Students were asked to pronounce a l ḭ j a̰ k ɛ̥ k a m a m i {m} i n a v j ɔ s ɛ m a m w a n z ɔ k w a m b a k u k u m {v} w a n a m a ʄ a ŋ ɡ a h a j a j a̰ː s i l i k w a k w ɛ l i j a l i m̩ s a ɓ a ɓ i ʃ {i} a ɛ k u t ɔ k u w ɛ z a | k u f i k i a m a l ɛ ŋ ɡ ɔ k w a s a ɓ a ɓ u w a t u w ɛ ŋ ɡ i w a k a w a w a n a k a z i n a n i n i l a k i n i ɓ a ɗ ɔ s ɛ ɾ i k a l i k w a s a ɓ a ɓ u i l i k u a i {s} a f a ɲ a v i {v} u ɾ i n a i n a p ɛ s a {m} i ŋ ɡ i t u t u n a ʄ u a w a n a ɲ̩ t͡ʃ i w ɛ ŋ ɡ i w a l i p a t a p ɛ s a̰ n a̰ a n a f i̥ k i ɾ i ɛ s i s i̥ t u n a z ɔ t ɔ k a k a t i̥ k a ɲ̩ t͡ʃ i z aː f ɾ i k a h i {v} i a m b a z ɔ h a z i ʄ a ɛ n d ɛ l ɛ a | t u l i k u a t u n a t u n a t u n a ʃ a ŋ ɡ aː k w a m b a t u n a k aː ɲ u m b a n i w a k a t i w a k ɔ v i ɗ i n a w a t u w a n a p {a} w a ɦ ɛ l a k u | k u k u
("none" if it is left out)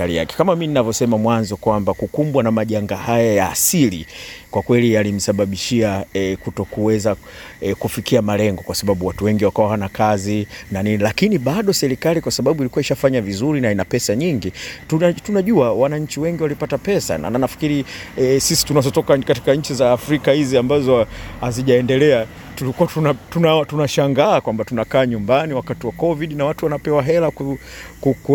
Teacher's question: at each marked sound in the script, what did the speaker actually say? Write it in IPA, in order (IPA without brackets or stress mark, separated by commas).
n, b, i, ʃ, z, ɲ, z, ɛ